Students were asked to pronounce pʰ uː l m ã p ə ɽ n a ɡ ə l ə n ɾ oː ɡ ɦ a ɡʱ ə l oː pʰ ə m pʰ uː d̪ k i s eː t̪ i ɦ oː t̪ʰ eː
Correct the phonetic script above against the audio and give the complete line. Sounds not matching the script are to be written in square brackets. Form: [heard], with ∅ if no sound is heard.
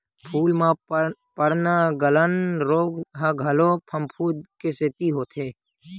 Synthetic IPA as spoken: pʰ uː l m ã p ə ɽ n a ɡ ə l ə n ɾ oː ɡ ɦ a ɡʱ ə l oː pʰ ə m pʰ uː d̪ k [e] s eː t̪ i ɦ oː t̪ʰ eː